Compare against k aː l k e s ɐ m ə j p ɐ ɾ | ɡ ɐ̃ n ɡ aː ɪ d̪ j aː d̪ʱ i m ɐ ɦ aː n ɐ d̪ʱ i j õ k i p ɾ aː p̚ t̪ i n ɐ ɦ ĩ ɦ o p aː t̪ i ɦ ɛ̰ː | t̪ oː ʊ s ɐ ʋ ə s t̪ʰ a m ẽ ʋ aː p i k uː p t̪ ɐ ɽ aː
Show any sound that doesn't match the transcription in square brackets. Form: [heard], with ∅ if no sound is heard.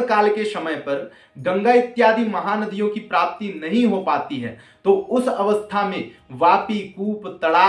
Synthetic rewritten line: k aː l k e s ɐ m ə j p ɐ ɾ | ɡ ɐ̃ [ŋ] ɡ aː ɪ [t̪] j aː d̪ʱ i m ɐ ɦ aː n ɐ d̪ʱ i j õ k i p ɾ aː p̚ t̪ i n ɐ ɦ ĩ ɦ o p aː t̪ i ɦ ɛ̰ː | t̪ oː ʊ s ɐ ʋ ə s t̪ʰ a m ẽ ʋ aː p i k uː p t̪ ɐ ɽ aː

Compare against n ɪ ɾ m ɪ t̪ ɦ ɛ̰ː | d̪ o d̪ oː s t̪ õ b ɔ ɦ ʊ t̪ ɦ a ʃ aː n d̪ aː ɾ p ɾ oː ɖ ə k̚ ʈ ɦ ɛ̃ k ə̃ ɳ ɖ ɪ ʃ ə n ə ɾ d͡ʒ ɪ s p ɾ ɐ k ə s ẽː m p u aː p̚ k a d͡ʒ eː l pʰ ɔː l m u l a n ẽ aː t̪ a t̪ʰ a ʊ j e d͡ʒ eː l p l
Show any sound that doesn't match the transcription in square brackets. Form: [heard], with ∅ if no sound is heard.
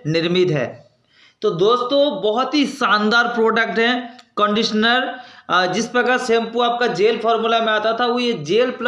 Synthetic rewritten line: n ɪ ɾ m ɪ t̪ ɦ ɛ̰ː | [t̪] o d̪ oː s t̪ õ b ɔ ɦ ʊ t̪ ɦ [i] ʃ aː n d̪ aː ɾ p ɾ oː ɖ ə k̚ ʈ ɦ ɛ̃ k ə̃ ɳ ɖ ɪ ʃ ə n ə ɾ d͡ʒ ɪ s p ɾ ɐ k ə s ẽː m p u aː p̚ k a d͡ʒ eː l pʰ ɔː [ɾ] m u l a [m] ẽ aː t̪ a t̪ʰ a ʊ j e d͡ʒ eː l p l

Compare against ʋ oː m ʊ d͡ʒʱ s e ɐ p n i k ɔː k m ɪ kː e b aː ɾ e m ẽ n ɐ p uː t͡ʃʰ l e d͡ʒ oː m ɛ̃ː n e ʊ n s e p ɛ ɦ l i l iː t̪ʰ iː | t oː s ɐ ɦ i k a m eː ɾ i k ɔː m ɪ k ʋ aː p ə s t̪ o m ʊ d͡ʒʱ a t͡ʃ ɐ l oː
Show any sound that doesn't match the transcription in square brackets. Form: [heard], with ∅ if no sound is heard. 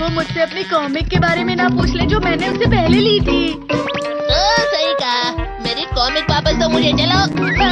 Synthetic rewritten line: ʋ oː m ʊ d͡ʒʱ s e ɐ p n i k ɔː [∅] m ɪ kː e b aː ɾ e m ẽ n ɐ p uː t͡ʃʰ l e d͡ʒ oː m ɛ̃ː n e ʊ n s e p ɛ ɦ l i l iː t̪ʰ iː | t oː s ɐ ɦ i k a m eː ɾ i k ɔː m ɪ k ʋ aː p ə s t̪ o m ʊ d͡ʒʱ [e] t͡ʃ ɐ l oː

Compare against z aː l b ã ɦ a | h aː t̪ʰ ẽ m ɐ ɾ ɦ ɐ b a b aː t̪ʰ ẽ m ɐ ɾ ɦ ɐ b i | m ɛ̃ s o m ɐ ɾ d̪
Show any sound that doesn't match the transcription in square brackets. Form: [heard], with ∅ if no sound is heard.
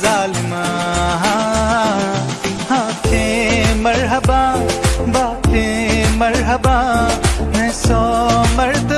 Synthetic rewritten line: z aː l [m] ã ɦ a | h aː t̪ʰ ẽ m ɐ ɾ ɦ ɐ b a b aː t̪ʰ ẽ m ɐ ɾ ɦ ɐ b [a] | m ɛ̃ s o m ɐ ɾ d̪

